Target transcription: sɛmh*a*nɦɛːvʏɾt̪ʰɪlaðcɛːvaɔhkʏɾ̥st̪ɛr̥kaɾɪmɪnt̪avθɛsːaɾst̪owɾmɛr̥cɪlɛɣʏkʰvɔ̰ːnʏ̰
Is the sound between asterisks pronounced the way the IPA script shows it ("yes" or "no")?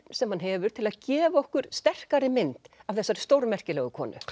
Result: yes